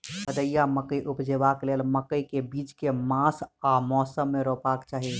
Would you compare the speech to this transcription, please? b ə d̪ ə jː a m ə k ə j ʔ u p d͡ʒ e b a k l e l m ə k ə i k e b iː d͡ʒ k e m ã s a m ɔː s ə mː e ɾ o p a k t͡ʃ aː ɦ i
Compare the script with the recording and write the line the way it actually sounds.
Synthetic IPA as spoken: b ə d̪ ə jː a m ə k ə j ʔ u p d͡ʒ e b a k l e l m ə k ə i k e b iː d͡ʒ k e m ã s a m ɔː s ə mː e ɾ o p a k t͡ʃ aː ɦ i